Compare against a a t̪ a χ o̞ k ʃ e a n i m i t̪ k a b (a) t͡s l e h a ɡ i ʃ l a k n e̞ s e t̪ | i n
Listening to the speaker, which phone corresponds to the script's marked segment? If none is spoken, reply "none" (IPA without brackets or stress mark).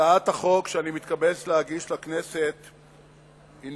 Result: e